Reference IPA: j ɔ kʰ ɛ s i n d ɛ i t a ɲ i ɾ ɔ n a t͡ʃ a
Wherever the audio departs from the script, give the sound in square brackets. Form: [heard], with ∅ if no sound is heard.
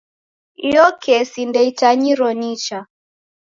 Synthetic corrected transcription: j ɔ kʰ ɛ s i n d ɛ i t a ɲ i ɾ ɔ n [i] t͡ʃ a